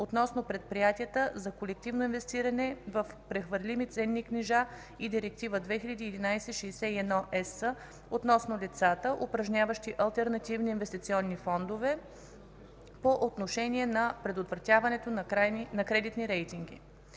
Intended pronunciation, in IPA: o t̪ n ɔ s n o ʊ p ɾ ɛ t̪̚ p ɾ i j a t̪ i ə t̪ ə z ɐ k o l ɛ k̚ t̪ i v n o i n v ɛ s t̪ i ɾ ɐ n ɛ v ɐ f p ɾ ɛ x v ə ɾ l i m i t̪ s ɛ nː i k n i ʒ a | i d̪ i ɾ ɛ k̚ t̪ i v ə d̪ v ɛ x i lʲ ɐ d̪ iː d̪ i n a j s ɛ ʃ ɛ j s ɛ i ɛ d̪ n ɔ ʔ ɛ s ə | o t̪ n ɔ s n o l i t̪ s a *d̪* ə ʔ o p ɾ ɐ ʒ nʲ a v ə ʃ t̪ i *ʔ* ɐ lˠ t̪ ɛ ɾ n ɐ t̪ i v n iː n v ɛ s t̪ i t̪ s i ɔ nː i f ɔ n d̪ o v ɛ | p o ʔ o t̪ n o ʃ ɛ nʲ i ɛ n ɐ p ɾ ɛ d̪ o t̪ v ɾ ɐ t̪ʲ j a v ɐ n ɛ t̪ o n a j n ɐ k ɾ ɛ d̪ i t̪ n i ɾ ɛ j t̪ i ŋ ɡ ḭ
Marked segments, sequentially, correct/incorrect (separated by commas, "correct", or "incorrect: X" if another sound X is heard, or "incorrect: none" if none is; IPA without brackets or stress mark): incorrect: t̪, correct